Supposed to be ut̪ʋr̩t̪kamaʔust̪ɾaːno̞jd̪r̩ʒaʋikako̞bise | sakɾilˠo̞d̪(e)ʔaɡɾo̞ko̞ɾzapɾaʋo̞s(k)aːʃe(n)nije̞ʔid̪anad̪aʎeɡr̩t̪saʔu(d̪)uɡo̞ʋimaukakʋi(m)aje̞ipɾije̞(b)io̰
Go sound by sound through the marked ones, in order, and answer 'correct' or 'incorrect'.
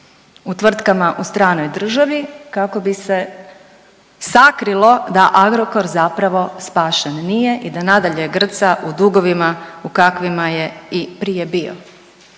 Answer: incorrect: a, incorrect: p, correct, correct, correct, correct

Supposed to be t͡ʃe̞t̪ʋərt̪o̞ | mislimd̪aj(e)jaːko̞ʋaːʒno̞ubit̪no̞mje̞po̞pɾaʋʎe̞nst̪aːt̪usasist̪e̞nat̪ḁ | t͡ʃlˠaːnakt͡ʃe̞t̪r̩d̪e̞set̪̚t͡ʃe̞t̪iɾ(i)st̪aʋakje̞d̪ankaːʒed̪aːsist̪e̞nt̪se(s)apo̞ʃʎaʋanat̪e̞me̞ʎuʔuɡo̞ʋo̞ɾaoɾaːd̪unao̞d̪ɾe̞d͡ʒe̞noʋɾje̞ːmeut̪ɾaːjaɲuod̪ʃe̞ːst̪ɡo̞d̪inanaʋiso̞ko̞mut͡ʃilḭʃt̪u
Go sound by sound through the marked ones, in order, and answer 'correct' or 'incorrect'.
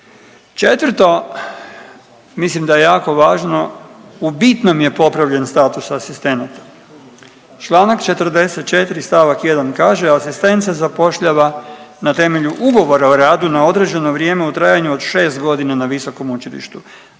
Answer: correct, correct, incorrect: z

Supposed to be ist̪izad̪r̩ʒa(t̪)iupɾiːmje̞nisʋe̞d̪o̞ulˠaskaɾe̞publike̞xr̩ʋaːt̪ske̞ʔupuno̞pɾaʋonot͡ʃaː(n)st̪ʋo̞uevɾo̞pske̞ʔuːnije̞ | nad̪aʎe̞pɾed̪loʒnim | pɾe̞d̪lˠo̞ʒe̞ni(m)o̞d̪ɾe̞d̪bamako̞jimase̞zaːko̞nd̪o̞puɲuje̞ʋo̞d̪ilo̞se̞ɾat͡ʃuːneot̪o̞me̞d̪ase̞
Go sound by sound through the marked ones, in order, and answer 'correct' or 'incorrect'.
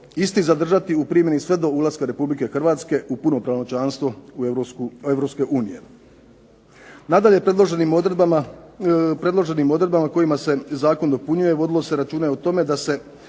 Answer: correct, correct, correct

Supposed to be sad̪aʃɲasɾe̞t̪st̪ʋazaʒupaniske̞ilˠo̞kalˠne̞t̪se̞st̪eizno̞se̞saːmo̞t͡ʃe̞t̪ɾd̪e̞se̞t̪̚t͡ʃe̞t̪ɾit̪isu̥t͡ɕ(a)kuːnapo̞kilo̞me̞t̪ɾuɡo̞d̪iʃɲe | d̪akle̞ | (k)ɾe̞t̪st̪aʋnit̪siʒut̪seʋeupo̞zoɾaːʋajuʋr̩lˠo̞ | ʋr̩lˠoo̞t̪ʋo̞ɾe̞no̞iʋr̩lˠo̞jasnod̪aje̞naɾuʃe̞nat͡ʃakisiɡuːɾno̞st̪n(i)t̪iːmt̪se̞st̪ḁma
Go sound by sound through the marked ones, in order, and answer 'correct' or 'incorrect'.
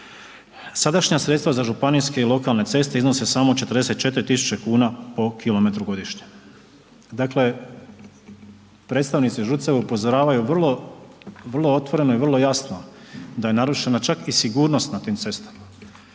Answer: incorrect: e, incorrect: p, incorrect: a

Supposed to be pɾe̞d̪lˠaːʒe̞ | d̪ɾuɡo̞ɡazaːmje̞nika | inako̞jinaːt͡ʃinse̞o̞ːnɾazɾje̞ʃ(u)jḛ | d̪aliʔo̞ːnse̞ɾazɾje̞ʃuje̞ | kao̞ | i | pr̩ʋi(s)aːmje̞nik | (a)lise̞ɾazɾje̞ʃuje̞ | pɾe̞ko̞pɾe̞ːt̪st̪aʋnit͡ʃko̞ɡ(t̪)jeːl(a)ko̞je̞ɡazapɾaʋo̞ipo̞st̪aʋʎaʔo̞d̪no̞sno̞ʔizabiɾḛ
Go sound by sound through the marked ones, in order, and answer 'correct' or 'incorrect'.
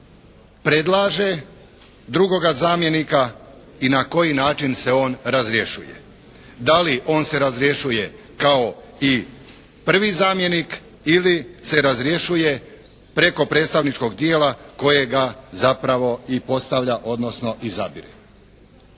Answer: correct, incorrect: z, incorrect: i, incorrect: d̪, correct

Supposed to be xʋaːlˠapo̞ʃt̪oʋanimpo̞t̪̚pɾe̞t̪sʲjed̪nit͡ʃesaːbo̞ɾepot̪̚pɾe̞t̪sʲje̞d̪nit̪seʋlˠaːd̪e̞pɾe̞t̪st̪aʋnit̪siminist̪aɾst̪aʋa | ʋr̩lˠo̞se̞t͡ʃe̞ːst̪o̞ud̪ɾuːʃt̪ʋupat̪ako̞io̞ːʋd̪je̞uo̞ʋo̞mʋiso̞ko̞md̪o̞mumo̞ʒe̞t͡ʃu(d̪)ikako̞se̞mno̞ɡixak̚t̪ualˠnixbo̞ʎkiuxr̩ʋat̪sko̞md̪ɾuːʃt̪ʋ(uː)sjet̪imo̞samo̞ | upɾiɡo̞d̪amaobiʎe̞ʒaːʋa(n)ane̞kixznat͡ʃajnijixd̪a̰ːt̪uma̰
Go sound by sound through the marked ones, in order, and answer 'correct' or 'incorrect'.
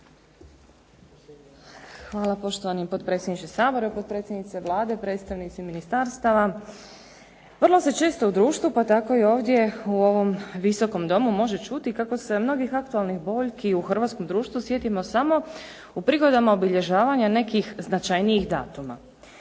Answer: incorrect: t̪, incorrect: u, incorrect: ɲ

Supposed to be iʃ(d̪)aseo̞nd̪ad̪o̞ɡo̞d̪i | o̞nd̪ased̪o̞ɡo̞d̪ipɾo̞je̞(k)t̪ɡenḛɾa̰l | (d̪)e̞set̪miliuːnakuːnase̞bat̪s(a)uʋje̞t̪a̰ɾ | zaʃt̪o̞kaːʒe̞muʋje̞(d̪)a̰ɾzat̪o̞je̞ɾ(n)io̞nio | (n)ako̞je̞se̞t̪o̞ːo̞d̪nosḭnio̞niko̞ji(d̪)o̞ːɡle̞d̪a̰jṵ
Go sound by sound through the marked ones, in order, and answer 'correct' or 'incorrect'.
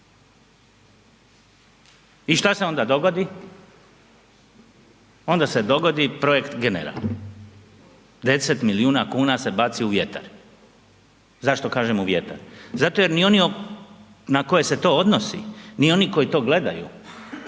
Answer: incorrect: t̪, correct, correct, incorrect: i, incorrect: t̪, correct, correct, incorrect: t̪

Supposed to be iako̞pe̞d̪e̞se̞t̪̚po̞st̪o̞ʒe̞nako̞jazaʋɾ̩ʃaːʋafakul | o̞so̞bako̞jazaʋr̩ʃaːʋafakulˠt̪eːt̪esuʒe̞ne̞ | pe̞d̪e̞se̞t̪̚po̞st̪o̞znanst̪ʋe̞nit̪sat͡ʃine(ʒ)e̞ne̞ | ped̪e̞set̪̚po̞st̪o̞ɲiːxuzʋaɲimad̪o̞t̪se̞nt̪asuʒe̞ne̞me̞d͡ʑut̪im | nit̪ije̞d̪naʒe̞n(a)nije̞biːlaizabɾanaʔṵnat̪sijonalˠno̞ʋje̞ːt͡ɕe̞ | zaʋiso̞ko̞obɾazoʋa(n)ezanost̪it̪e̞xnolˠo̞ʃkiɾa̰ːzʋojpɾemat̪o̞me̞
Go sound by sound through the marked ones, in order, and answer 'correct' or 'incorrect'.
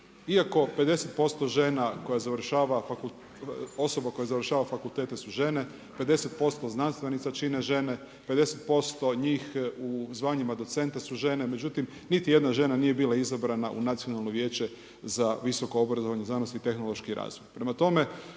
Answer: correct, correct, incorrect: ɲ

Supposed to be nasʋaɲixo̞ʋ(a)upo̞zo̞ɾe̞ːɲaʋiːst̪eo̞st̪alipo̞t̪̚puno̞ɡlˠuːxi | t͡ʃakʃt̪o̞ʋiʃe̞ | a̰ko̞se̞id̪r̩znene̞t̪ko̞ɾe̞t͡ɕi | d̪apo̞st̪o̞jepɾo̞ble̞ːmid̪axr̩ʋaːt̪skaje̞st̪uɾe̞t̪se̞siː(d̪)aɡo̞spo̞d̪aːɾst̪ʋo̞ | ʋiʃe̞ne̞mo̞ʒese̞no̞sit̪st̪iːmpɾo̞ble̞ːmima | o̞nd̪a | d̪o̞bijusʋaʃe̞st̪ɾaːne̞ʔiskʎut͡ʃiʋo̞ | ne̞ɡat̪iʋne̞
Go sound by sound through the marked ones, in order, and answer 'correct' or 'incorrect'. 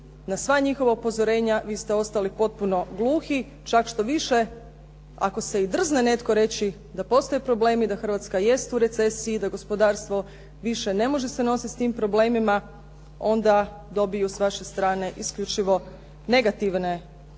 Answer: correct, correct

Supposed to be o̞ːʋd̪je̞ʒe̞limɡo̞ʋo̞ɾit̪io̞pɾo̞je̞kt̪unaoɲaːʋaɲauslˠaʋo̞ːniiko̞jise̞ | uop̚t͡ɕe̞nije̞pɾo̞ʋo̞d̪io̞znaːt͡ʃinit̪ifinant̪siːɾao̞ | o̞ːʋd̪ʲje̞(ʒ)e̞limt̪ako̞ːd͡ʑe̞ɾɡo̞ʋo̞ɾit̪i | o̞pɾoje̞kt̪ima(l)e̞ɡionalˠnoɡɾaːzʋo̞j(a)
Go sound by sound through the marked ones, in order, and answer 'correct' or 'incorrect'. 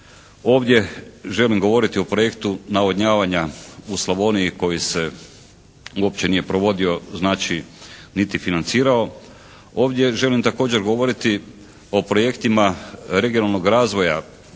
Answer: correct, incorrect: ɾ, correct

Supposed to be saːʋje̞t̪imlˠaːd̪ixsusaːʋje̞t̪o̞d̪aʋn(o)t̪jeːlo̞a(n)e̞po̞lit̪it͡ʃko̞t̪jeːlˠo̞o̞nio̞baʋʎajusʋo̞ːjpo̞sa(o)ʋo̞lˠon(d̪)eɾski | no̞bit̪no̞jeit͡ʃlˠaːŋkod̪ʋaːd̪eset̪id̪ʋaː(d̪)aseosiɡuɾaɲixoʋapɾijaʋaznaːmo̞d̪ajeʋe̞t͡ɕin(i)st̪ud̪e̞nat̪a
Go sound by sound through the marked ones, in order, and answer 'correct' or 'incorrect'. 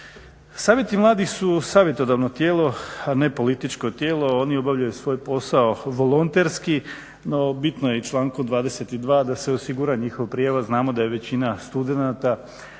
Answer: correct, correct, correct, incorrect: t̪, correct, incorrect: a

